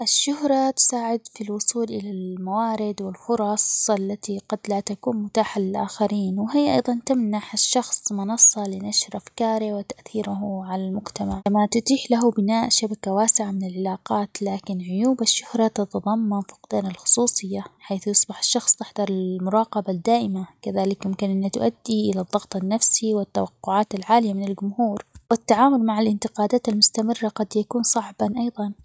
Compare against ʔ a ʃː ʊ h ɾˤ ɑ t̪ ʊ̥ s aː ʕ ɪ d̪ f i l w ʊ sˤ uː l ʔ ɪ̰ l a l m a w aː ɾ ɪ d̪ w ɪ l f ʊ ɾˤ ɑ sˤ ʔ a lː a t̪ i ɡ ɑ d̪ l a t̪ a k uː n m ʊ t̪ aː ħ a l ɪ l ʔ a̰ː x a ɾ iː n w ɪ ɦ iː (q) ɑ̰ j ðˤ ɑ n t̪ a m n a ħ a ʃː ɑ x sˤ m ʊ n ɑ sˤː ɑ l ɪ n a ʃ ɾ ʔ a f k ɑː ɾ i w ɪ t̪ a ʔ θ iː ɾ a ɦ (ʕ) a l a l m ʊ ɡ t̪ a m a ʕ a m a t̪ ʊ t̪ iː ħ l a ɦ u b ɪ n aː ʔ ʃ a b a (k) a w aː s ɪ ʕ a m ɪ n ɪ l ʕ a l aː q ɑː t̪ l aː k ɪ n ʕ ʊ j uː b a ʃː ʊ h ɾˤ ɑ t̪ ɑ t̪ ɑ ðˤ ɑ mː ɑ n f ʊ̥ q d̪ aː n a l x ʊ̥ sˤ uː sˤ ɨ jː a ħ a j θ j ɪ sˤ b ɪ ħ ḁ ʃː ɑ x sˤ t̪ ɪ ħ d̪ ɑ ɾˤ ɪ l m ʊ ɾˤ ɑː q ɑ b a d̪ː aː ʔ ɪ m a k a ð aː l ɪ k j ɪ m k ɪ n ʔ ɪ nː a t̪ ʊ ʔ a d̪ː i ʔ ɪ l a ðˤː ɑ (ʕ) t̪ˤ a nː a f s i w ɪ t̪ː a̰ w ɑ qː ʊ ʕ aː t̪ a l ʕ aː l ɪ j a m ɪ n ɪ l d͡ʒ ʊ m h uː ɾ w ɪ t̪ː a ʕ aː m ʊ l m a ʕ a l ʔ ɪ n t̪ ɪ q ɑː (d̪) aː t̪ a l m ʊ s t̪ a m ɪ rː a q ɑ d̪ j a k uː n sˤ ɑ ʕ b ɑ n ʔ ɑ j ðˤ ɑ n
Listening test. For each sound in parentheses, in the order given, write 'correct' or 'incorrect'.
incorrect: ʔ, correct, correct, incorrect: ɣ, correct

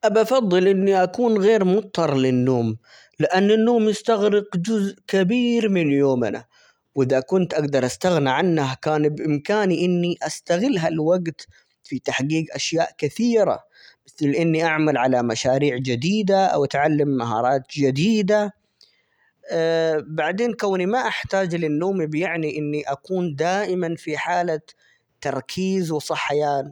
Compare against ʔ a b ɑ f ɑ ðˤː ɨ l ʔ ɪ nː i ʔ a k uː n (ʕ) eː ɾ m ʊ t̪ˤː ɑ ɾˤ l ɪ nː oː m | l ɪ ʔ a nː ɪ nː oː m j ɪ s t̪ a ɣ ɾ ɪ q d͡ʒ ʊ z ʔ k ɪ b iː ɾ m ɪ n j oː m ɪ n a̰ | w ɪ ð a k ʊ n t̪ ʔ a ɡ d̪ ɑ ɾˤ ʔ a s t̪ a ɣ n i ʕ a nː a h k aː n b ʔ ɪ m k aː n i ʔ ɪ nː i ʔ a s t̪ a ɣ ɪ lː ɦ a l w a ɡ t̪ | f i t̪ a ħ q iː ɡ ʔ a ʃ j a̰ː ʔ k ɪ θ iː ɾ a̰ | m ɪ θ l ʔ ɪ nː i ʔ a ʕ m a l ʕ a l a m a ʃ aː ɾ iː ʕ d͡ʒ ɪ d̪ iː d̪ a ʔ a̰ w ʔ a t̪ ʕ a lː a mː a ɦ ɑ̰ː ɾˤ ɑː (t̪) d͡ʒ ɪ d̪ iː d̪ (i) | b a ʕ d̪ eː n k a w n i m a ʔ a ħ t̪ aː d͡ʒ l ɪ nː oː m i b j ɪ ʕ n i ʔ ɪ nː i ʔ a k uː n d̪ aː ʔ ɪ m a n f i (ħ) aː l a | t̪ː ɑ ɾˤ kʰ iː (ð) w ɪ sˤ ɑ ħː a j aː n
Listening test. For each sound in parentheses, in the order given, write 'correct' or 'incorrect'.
incorrect: ɣ, correct, incorrect: a, correct, incorrect: z

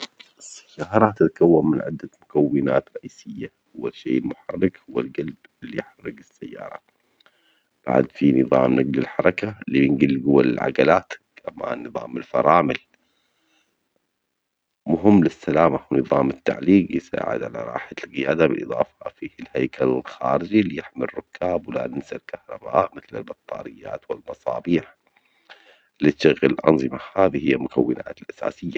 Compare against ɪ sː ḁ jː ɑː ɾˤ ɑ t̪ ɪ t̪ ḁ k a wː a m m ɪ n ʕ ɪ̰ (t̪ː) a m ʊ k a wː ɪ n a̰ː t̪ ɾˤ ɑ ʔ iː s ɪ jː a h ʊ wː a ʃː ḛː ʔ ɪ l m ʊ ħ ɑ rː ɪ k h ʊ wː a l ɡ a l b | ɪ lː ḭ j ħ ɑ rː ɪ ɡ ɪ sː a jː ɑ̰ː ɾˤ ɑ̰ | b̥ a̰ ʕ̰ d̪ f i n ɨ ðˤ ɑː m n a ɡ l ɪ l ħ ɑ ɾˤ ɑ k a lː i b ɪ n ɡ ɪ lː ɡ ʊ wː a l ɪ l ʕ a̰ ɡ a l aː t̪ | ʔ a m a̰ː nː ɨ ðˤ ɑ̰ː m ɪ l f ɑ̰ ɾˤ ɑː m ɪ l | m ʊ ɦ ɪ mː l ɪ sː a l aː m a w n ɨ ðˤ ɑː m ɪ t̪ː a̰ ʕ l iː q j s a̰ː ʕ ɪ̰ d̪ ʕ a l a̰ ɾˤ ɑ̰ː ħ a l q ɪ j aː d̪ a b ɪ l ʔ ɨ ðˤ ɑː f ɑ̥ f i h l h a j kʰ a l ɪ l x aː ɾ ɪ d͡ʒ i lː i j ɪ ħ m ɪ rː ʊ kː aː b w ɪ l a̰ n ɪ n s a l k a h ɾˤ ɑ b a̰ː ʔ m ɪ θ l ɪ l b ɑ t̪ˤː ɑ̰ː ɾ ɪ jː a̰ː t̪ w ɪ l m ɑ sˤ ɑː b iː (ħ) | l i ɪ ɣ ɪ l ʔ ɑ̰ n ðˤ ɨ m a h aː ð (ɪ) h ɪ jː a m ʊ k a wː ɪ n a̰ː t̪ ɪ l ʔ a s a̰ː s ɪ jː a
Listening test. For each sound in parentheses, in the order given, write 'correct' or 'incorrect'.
incorrect: d̪ː, correct, incorrect: i

